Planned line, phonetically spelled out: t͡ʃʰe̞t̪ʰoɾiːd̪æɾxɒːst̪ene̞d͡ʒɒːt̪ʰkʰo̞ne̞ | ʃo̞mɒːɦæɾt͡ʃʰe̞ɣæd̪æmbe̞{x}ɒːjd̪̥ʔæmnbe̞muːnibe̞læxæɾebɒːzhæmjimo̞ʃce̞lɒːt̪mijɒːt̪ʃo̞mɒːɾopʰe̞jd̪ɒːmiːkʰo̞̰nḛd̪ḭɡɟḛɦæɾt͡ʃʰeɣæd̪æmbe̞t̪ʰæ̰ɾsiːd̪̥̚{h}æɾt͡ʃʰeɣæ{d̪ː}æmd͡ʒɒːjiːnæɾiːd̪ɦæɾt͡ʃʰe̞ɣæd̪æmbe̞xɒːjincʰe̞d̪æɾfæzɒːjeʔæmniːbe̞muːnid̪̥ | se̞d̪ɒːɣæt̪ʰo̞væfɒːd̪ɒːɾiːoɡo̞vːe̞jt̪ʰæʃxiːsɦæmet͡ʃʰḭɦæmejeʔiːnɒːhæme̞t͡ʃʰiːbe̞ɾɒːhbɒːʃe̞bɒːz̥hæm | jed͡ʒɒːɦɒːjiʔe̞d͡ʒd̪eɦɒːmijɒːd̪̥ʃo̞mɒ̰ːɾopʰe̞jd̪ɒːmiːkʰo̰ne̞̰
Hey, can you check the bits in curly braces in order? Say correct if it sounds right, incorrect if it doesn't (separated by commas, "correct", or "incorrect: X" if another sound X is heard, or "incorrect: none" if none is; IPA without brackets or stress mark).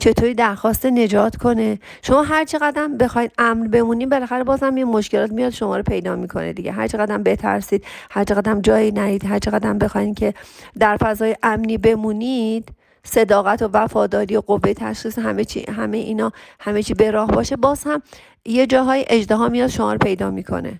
correct, correct, incorrect: d̪